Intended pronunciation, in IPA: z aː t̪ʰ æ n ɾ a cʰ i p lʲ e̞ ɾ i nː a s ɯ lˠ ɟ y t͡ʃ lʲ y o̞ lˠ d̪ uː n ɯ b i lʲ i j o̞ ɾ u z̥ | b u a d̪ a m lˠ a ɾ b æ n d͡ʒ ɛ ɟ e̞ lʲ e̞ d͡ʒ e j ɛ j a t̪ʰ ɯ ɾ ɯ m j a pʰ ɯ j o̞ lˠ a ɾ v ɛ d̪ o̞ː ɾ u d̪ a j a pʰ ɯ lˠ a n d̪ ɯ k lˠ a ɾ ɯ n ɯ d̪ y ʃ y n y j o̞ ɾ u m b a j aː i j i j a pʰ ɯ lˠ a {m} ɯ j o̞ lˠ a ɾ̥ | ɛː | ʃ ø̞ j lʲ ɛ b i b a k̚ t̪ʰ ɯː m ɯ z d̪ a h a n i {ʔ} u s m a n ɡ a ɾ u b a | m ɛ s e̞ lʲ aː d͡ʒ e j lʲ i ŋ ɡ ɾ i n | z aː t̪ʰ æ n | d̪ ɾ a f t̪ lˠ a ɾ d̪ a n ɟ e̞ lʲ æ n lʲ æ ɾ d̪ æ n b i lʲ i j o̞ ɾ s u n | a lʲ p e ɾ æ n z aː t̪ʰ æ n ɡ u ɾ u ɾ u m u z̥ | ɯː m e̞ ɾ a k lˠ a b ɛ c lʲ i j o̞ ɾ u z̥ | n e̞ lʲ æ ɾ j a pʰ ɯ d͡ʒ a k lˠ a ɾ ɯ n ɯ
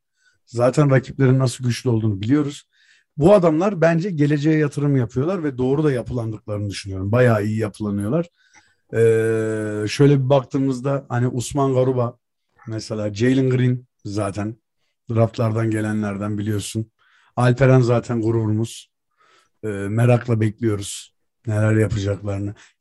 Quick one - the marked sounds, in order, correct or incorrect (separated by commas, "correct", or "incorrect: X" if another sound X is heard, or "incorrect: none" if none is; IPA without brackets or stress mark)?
incorrect: n, correct